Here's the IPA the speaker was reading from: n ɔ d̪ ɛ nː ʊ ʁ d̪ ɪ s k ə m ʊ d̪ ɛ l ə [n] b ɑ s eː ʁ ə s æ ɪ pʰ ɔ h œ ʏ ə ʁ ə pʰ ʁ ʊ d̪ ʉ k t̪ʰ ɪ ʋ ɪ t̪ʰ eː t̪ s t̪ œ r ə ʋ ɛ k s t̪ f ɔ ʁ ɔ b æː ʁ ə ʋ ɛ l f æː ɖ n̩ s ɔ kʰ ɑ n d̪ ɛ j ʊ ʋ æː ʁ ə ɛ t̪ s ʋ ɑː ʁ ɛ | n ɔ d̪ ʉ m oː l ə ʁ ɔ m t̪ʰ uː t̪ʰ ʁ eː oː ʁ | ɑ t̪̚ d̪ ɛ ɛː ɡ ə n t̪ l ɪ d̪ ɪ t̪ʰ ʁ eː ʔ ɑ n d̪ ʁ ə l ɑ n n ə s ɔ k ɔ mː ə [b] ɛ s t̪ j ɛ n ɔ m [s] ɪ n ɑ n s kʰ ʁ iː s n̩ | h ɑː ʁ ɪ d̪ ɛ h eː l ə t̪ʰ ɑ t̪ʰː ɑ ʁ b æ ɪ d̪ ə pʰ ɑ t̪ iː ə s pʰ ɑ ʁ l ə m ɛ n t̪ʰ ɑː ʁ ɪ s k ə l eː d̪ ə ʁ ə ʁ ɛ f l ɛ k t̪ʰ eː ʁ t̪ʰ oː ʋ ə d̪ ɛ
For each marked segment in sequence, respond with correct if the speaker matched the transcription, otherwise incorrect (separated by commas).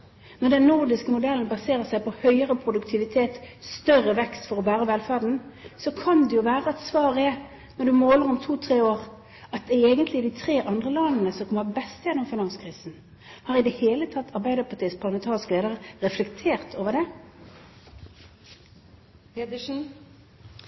correct, correct, incorrect